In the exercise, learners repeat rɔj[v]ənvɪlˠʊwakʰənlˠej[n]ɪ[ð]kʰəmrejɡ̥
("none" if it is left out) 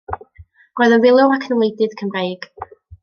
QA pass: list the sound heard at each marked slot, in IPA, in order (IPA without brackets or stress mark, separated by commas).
ð, d, ð